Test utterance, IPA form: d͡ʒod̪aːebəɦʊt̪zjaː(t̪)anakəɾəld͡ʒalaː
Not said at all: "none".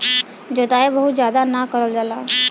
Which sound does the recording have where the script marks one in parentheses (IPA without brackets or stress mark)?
d̪